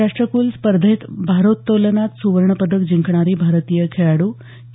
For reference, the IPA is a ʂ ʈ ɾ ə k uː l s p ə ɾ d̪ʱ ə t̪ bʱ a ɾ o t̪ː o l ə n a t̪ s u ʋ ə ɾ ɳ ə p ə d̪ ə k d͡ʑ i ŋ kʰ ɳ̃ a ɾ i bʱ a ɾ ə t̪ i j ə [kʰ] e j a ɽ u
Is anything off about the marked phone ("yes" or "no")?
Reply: no